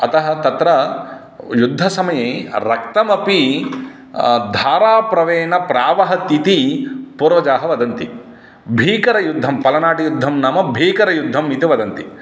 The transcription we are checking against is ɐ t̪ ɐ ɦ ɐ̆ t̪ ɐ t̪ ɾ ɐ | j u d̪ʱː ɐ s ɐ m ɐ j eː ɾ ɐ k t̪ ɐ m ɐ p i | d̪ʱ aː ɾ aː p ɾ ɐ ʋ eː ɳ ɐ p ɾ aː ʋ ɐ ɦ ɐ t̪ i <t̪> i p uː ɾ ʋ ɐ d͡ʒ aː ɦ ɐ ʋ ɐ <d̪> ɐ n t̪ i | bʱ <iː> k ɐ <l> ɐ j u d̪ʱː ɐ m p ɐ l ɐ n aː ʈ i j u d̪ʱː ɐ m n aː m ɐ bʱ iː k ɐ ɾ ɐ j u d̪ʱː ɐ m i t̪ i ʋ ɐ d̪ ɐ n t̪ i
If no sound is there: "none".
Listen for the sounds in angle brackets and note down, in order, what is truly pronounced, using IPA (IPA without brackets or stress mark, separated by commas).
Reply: t̪, d̪, iː, ɾ